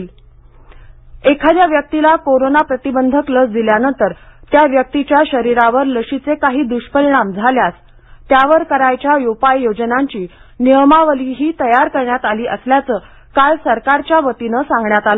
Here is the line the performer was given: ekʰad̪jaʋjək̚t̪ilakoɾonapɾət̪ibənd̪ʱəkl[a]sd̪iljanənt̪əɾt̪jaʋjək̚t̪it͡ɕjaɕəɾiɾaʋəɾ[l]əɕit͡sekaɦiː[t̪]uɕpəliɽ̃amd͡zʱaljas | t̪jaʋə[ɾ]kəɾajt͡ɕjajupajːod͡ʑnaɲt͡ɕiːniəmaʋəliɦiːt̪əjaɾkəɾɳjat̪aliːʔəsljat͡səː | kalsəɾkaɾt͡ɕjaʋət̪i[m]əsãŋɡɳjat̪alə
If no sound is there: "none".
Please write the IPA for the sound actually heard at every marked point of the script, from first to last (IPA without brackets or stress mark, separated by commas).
ə, l, d̪, ɾ, n